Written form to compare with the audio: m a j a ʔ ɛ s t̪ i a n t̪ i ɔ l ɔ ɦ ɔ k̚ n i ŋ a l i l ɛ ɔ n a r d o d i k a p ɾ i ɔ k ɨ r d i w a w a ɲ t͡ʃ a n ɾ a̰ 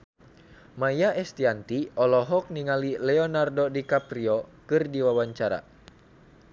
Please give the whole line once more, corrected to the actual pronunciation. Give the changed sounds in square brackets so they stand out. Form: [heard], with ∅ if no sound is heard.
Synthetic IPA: m a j a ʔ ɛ s t̪ i a n t̪ i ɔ l ɔ ɦ ɔ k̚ n i ŋ a l i l ɛ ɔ n a r d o d i k a p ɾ i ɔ k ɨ r d i w a w a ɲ t͡ʃ a [∅] ɾ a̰